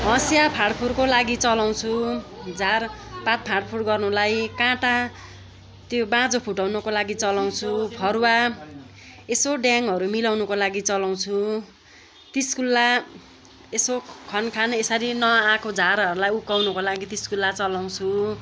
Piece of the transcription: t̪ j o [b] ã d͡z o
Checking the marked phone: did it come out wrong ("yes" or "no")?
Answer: no